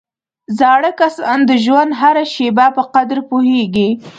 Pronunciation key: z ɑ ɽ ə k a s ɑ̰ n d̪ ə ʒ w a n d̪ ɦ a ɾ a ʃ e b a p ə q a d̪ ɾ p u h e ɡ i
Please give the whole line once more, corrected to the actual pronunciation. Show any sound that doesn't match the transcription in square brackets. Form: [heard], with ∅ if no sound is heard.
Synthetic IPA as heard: z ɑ ɽ ə k a s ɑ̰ n d̪ ə ʒ w a n d̪ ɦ a ɾ a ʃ e b a p ə q a d̪ ɾ p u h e ɡ i